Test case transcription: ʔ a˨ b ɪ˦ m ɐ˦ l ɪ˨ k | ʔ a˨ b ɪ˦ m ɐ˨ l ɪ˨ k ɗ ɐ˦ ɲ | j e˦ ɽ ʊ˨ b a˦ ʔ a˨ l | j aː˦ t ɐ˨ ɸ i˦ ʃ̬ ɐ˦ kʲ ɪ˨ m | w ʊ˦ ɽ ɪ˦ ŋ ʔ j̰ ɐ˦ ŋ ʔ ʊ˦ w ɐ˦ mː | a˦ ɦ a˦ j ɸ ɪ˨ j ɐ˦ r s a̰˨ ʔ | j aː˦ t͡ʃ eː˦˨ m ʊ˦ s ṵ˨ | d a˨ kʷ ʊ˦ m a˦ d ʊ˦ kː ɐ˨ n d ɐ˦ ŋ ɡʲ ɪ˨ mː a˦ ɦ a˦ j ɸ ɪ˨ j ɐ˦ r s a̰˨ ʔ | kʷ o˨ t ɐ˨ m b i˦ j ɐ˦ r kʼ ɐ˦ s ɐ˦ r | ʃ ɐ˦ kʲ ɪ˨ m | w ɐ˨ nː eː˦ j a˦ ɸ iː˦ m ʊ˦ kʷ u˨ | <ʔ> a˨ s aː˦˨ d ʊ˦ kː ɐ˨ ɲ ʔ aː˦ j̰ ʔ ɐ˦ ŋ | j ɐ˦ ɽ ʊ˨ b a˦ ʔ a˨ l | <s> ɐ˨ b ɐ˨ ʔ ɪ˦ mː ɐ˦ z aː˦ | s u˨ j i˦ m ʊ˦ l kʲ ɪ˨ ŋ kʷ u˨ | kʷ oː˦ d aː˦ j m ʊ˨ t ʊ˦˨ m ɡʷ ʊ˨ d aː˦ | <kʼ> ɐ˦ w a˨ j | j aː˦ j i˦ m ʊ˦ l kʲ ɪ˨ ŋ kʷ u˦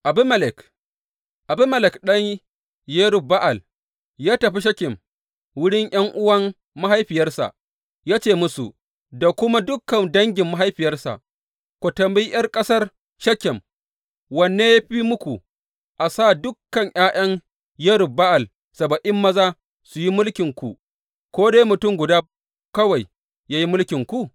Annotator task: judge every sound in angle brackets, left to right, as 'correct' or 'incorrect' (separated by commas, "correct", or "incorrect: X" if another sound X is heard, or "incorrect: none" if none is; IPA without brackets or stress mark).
correct, correct, incorrect: k